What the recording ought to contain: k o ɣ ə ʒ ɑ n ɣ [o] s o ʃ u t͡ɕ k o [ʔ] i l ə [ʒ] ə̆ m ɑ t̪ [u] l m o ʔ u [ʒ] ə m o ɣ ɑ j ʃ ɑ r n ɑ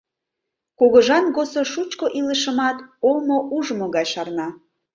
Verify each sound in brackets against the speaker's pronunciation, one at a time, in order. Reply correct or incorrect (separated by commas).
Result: correct, correct, incorrect, incorrect, correct